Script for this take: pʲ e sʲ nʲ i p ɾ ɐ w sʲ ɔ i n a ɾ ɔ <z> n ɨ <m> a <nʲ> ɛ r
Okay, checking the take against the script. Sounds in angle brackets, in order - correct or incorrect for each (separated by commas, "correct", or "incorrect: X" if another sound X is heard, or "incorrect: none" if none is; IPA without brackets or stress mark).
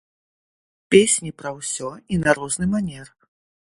correct, correct, correct